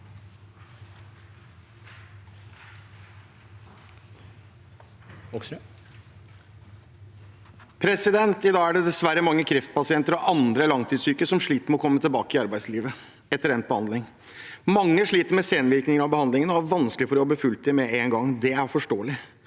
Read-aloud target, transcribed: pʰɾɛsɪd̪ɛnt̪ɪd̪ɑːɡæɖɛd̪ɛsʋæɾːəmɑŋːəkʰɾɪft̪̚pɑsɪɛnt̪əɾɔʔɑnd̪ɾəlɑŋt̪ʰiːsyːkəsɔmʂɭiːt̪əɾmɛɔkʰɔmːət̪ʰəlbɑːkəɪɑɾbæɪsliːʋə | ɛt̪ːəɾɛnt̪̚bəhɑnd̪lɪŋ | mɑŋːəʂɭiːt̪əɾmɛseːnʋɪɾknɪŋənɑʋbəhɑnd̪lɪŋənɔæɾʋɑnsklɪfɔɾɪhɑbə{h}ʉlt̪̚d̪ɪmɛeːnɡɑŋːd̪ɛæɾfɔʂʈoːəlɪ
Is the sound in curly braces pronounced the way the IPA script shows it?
no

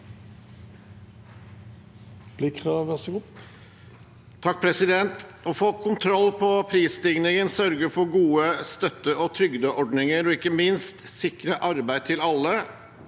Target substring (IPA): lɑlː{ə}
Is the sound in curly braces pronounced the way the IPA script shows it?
yes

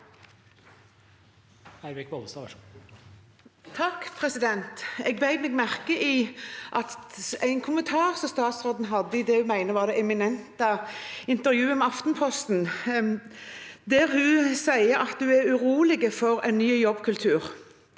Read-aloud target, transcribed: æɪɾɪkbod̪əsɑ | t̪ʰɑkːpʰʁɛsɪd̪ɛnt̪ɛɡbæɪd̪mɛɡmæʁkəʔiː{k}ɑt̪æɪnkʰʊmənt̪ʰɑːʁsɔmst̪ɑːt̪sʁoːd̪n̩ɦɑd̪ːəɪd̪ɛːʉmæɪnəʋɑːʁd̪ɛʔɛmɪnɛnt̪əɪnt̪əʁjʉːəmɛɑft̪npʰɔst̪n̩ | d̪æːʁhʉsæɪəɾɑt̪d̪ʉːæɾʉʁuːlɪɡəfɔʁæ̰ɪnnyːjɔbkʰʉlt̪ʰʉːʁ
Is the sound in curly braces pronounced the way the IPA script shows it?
no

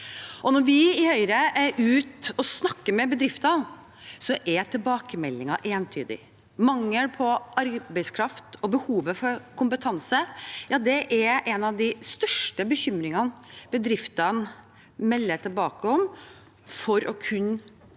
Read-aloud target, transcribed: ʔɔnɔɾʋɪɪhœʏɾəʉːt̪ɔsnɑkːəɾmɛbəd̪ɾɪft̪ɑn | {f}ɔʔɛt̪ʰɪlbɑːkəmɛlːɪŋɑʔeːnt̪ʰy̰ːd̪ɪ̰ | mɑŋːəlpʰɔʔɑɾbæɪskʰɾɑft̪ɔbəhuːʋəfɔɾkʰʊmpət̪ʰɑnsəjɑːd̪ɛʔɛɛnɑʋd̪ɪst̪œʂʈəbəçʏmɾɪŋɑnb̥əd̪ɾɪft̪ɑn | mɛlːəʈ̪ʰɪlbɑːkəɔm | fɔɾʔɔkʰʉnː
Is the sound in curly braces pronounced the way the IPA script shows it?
no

